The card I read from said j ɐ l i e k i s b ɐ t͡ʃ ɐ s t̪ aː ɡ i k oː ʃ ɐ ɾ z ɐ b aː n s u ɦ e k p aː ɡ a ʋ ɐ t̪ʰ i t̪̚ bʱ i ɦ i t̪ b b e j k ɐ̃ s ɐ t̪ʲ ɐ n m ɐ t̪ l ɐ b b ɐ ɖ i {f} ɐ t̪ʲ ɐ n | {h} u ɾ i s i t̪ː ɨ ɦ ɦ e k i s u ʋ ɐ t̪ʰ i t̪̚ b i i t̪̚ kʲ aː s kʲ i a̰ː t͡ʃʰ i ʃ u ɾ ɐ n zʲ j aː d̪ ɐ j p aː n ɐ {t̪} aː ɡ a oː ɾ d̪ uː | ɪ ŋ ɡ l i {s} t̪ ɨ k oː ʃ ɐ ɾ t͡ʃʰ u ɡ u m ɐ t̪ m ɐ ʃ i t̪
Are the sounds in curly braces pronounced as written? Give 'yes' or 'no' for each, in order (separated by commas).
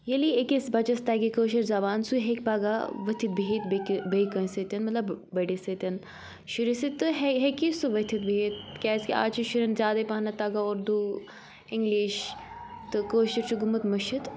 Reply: no, no, yes, no